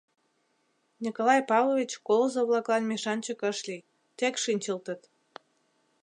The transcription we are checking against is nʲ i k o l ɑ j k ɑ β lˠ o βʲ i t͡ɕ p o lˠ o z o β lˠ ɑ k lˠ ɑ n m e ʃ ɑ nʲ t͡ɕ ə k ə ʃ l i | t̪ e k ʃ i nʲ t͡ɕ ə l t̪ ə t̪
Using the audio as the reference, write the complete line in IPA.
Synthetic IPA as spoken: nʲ i k o l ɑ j p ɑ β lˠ o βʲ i t͡ɕ k o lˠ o z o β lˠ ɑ k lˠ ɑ n m e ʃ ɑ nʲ t͡ɕ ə k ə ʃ l i | t̪ e k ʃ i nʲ t͡ɕ ə l t̪ ə t̪

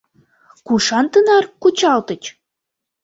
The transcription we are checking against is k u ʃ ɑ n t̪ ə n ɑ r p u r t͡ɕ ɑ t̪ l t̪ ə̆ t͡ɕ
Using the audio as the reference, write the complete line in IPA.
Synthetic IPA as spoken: k u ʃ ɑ n t̪ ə n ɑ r k u t͡ɕ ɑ l t̪ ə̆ t͡ɕ

